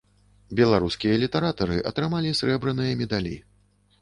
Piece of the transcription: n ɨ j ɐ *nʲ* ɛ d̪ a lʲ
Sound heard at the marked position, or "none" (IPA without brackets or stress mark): mʲ